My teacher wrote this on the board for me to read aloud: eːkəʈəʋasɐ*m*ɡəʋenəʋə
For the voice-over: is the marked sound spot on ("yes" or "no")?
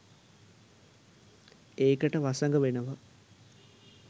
no